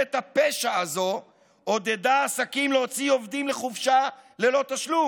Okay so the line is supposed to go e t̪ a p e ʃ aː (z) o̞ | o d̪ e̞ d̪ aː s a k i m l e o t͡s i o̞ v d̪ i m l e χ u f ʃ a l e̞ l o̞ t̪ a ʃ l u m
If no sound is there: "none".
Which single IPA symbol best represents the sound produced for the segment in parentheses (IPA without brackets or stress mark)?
z